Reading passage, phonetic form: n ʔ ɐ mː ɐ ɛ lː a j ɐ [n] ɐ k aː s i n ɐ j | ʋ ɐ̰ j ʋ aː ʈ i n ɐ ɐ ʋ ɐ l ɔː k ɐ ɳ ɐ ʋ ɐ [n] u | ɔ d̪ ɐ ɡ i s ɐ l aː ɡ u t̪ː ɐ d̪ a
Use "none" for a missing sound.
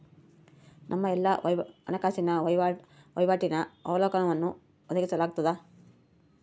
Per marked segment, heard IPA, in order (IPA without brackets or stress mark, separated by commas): n, nː